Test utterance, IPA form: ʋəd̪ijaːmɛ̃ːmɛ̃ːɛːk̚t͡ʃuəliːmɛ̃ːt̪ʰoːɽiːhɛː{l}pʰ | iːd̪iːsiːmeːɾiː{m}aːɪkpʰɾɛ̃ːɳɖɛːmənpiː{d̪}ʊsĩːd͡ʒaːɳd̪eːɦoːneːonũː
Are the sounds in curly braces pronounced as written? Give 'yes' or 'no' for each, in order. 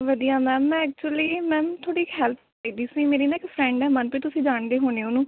yes, no, no

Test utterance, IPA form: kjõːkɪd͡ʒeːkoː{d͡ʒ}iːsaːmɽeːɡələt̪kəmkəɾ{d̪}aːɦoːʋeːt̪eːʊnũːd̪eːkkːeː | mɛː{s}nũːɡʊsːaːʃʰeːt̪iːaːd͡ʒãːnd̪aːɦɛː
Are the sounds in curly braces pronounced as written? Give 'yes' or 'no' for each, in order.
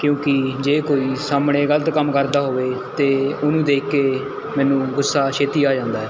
no, yes, no

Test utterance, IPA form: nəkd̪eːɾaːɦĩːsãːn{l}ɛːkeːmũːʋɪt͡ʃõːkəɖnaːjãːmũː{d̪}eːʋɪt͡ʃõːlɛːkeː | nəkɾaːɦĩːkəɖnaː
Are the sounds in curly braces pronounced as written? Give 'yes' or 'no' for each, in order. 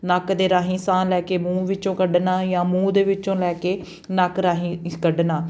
yes, yes

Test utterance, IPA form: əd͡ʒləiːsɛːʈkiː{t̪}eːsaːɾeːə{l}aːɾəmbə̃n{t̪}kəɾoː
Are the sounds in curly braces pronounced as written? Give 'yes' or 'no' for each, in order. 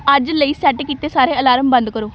yes, yes, no

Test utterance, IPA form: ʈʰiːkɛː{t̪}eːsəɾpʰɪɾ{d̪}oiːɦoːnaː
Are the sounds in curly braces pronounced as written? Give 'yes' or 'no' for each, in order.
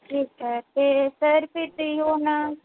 yes, no

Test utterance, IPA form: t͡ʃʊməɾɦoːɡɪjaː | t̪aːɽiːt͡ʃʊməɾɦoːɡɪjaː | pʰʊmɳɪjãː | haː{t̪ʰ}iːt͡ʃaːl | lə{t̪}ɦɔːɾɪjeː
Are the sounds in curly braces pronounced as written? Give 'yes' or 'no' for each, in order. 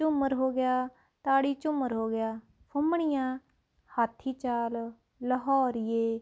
yes, no

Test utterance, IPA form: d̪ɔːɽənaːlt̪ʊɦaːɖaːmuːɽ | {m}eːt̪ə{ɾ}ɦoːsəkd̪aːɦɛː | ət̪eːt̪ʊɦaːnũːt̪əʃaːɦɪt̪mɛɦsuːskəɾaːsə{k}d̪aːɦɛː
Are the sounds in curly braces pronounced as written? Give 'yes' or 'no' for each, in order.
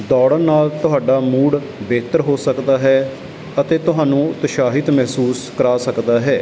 no, yes, yes

